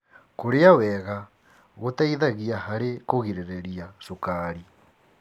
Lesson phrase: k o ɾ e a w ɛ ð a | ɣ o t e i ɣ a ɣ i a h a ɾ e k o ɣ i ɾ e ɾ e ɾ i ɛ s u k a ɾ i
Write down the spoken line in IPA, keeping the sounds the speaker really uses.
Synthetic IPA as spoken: k o ɾ e a w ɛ ɣ a | ɣ o t a i ð a ɣ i a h a ɾ e k o ɣ i ɾ e ɾ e ɾ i a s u k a ɾ i